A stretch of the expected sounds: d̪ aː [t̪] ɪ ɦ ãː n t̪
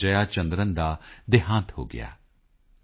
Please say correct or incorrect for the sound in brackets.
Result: incorrect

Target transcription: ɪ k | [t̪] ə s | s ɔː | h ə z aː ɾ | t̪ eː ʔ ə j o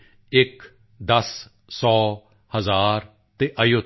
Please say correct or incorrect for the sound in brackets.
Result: incorrect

